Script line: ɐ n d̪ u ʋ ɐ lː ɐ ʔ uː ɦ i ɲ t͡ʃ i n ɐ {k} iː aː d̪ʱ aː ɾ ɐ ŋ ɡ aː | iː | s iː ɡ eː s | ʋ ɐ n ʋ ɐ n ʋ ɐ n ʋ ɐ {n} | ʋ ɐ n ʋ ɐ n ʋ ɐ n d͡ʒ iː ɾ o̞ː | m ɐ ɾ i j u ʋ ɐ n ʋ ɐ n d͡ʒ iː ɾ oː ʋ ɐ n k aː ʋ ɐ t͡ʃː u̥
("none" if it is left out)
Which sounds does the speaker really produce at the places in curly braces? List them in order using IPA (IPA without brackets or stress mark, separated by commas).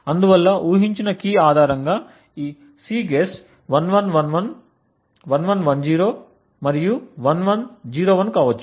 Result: k, n